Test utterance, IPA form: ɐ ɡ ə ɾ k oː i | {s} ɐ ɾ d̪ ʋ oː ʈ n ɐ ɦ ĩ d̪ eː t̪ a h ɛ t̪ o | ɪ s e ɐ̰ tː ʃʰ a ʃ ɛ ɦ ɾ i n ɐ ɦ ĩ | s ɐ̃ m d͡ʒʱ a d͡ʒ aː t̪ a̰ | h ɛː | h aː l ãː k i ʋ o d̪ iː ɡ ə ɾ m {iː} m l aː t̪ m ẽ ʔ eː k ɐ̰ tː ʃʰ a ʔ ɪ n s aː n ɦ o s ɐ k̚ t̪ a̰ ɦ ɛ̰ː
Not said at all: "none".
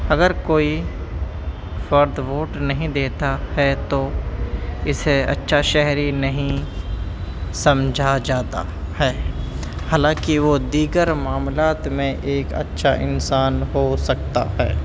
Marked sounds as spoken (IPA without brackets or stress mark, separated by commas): f, aː